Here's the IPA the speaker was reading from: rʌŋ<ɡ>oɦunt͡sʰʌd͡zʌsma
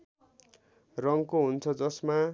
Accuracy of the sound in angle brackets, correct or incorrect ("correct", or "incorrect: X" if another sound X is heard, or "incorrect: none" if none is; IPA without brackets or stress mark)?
incorrect: k